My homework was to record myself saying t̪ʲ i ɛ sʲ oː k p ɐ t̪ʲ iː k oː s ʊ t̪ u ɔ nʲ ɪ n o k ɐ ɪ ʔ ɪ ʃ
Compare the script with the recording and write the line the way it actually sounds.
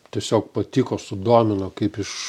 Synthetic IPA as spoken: t̪ʲ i ɛ sʲ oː k p ɐ t̪ʲ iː k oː s ʊ d̪ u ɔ mʲ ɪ n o k ɐ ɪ p ɪ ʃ